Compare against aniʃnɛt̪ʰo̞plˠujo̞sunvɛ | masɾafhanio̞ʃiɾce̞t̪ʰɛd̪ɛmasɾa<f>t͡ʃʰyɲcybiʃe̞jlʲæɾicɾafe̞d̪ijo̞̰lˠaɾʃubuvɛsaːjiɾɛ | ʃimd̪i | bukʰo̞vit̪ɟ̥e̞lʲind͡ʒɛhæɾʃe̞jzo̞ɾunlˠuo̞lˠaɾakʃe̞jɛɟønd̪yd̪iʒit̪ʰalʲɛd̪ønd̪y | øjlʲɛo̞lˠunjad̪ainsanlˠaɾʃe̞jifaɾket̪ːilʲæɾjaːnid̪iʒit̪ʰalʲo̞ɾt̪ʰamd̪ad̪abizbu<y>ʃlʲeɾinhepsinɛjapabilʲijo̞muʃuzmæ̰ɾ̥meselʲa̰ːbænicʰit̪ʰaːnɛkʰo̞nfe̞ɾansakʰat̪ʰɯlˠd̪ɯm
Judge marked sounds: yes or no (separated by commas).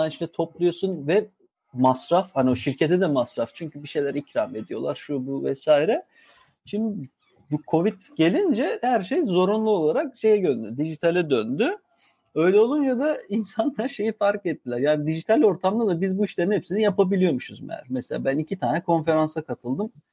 yes, no